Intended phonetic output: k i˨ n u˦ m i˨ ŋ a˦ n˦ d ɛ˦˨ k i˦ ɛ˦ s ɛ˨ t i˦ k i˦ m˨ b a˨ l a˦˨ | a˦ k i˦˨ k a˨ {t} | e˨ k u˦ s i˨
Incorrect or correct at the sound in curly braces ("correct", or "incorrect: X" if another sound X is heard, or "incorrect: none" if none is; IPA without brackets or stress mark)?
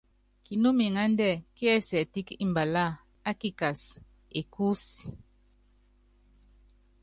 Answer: incorrect: s